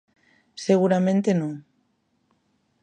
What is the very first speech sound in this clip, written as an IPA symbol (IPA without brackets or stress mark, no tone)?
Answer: s